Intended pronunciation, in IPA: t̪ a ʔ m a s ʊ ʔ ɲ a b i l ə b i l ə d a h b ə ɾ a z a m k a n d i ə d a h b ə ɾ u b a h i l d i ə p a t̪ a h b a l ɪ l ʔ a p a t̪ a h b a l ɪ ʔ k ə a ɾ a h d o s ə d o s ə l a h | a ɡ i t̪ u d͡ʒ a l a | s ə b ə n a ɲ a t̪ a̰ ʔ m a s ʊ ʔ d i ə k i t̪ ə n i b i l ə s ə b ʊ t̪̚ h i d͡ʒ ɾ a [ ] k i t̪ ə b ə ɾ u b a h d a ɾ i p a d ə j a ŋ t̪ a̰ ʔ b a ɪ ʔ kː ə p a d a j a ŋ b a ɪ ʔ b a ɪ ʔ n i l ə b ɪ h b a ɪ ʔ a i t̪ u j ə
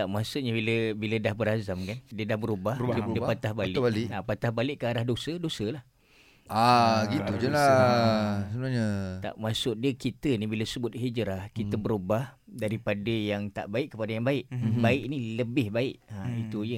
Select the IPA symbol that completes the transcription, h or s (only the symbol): h